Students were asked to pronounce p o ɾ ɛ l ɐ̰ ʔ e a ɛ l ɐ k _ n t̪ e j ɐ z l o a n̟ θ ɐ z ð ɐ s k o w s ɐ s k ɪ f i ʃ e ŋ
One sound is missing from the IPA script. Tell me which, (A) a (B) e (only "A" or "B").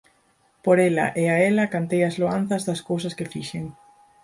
A